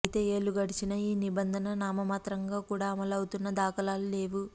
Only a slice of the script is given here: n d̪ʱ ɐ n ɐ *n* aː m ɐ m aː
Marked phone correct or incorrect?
correct